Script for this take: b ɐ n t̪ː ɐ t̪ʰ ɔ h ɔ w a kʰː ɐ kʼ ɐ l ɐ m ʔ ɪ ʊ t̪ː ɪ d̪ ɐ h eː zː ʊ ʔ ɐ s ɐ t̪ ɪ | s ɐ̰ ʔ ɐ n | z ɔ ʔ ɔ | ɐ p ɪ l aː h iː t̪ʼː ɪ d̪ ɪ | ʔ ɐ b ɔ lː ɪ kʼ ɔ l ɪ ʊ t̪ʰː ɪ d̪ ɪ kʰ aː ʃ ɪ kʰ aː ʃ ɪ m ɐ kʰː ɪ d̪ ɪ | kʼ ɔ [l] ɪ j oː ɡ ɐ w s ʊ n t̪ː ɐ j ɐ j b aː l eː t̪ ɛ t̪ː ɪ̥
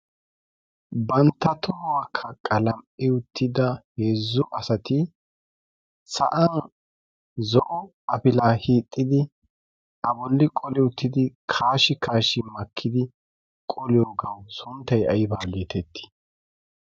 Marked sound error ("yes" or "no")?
no